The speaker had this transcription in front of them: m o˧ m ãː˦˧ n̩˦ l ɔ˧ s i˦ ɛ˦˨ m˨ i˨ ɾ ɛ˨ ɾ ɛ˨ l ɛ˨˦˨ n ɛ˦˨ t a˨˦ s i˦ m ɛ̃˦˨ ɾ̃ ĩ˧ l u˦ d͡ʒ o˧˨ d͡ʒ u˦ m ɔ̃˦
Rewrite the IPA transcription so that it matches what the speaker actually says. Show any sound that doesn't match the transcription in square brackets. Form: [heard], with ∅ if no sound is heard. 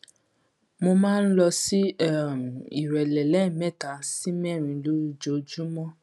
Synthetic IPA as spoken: m o˧ m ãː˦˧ n̩˦ l ɔ˧ s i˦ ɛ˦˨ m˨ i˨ ɾ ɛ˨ [l] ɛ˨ l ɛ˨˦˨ [m] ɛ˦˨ t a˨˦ s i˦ m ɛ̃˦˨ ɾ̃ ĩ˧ l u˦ d͡ʒ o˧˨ d͡ʒ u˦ m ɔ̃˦